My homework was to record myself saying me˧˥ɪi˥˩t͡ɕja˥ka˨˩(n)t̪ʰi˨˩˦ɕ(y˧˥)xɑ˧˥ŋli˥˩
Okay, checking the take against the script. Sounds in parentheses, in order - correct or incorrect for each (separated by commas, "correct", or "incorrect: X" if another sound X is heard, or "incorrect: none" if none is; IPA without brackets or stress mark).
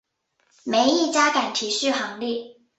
correct, incorrect: y˥˩